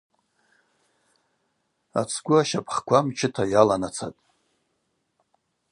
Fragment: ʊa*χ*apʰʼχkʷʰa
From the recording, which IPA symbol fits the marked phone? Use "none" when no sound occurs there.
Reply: ʃ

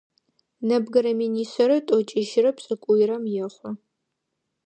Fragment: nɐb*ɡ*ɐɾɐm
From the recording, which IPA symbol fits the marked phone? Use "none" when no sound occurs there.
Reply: ɡ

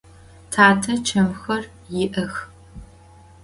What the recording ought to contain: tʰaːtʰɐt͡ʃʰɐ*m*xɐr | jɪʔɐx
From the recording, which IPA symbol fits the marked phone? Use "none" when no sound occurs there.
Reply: m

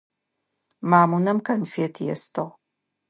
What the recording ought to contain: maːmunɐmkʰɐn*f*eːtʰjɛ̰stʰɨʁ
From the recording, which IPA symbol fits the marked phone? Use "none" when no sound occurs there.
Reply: f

